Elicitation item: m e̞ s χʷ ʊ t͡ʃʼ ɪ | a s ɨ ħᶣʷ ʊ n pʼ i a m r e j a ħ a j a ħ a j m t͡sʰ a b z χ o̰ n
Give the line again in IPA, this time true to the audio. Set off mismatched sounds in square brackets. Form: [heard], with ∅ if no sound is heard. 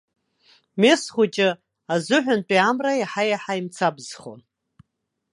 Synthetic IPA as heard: m e̞ s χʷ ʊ t͡ʃʼ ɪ | a [z] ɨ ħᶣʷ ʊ n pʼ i a m r [a] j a ħ a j a ħ a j m t͡sʰ a b z χ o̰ n